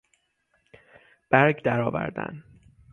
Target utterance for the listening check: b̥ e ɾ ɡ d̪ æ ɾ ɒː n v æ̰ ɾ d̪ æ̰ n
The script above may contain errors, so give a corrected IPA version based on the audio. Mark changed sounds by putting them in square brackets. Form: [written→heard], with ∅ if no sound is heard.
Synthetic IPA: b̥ [e→æ] ɾ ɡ d̪ æ ɾ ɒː [n→∅] v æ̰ ɾ d̪ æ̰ n